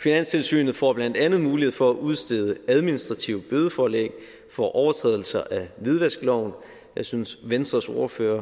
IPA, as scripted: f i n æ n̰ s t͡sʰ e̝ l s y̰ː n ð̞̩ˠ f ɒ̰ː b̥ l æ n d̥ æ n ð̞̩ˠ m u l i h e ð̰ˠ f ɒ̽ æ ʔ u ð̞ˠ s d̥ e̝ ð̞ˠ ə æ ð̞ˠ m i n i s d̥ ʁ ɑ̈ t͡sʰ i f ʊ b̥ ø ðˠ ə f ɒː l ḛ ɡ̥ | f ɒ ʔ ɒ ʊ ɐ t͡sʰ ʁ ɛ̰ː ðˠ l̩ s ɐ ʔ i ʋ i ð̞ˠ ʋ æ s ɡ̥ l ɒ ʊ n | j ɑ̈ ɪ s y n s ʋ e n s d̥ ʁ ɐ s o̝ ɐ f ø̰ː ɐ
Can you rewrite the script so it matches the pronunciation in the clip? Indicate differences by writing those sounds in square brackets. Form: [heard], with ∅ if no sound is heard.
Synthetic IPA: f i n æ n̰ s t͡sʰ e̝ l s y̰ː n ð̞̩ˠ f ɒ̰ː b̥ l æ n d̥ æ n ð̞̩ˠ m [uː] l i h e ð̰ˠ f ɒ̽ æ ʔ u ð̞ˠ s d̥ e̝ ð̞ˠ ə æ ð̞ˠ m i n i s d̥ ʁ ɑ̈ t͡sʰ i [∅] ʊ b̥ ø ðˠ ə f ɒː l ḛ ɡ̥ | f ɒ ʔ ɒ ʊ ɐ t͡sʰ ʁ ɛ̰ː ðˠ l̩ s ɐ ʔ [æ] ʋ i ð̞ˠ ʋ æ s ɡ̥ l ɒ ʊ n | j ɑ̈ ɪ s y n s ʋ e n s d̥ ʁ ɐ s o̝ ɐ f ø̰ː ɐ